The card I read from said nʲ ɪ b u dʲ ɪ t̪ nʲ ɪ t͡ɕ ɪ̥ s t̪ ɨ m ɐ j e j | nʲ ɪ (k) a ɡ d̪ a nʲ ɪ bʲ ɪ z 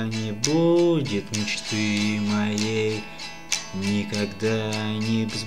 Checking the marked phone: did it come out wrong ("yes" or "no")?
no